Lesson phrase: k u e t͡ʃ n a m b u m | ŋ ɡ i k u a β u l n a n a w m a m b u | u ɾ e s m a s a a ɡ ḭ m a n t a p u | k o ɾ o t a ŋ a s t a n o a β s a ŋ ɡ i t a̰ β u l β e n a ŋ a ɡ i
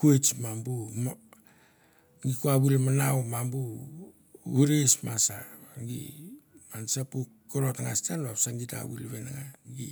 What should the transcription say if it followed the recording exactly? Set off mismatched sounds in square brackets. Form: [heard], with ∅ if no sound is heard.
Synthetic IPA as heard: k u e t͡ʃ [m] a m b u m | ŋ ɡ i k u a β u l [m] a n a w m a m b u | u ɾ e s m a s a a ɡ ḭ m a n [s] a p u | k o ɾ o t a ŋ a s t a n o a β s a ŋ ɡ i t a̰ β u l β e n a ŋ a ɡ i